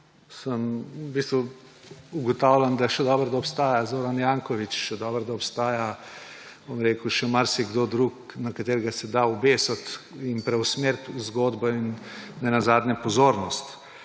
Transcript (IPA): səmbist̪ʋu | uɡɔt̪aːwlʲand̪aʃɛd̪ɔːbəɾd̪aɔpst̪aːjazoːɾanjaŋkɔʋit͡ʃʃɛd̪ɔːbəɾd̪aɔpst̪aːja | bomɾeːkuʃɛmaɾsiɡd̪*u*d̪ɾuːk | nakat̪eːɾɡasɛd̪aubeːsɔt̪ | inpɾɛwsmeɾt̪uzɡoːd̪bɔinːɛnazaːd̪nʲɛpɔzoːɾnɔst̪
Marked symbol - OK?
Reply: no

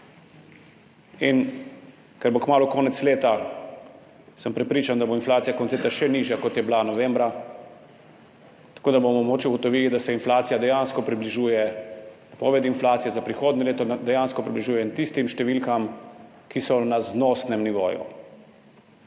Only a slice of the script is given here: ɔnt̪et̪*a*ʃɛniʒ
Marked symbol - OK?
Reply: yes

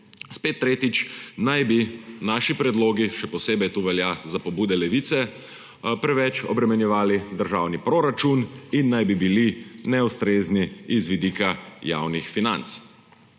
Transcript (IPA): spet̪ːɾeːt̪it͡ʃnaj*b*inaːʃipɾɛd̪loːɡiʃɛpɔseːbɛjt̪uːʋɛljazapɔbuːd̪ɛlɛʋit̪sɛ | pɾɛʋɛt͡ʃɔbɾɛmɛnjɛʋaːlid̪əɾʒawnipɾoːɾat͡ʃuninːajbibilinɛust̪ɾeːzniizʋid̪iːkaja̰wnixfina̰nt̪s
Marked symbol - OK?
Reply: yes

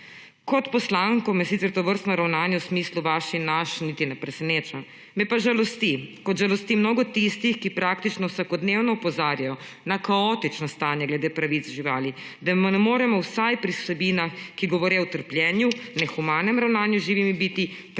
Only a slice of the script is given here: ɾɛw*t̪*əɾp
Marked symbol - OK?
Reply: yes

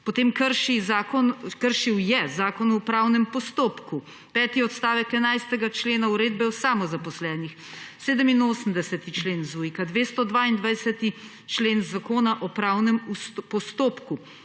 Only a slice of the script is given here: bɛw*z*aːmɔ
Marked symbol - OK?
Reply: no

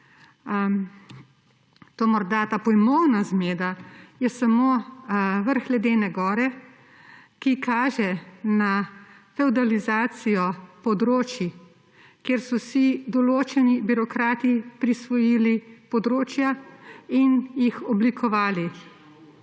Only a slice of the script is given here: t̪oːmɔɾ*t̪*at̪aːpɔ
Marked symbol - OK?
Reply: no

